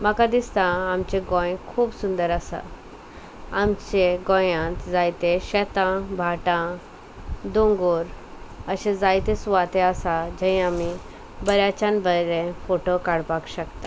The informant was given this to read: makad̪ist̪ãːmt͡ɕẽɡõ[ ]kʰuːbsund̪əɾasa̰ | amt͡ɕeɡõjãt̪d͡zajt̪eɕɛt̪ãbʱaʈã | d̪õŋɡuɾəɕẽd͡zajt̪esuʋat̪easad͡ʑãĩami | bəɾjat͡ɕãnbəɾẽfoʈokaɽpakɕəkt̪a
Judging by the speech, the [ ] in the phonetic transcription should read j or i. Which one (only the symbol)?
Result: j